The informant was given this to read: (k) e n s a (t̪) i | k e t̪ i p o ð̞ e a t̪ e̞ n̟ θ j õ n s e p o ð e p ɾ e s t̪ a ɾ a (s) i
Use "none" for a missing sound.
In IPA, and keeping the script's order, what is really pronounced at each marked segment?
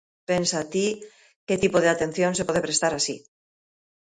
p, t̪, s

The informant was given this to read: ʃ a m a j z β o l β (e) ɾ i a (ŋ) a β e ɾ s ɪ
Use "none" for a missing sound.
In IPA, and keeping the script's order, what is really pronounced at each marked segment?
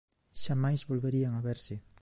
e, ŋ

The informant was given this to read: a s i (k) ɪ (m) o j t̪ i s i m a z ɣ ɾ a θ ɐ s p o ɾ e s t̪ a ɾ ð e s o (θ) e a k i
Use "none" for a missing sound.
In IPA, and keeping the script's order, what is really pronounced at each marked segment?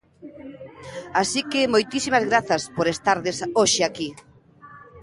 k, m, ʃ

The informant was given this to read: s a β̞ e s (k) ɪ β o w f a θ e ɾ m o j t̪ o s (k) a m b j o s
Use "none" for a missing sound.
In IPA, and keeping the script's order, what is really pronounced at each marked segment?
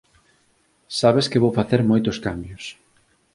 k, k

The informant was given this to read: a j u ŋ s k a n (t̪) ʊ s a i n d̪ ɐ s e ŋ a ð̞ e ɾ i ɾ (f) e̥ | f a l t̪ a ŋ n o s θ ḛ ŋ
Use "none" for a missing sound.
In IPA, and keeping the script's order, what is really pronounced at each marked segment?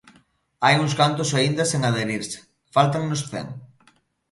t̪, s

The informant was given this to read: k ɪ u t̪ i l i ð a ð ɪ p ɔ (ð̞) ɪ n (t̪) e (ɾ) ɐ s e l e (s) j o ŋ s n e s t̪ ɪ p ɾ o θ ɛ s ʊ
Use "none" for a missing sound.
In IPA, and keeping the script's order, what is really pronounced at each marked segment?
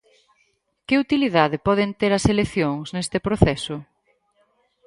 ð̞, t̪, ɾ, θ

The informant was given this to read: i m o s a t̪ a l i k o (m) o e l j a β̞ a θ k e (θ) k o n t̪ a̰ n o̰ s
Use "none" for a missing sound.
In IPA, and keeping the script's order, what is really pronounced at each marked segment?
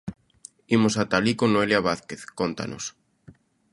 n, θ

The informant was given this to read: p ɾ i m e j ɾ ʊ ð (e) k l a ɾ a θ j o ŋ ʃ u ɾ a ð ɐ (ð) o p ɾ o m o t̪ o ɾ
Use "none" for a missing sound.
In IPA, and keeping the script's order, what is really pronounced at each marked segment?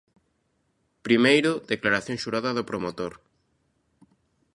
e, ð

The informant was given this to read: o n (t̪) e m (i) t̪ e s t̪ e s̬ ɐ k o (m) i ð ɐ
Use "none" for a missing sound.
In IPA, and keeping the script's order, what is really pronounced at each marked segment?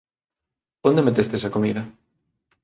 d̪, e, m

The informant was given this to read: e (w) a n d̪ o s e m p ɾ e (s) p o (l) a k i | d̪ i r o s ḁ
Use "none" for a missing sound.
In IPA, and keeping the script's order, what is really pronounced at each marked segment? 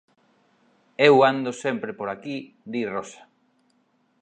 w, none, ɾ

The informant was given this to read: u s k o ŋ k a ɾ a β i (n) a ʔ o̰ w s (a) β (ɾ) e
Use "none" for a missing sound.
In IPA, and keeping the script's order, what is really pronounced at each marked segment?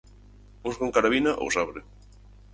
n, a, ɾ

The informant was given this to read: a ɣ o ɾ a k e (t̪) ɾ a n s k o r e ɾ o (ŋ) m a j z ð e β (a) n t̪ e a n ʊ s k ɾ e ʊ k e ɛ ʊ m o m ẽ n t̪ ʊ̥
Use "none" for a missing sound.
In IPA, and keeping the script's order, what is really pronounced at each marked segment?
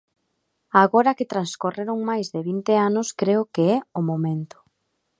t̪, ŋ, i

